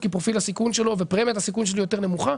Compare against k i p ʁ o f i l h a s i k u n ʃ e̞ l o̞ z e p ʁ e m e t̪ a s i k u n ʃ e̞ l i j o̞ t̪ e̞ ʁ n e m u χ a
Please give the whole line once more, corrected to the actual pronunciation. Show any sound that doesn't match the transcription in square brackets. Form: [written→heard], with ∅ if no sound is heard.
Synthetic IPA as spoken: k i p ʁ o f i l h a s i k u n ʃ e̞ l o̞ [z→v] e p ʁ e m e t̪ a s i k u n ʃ e̞ l i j o̞ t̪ e̞ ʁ n e m u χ a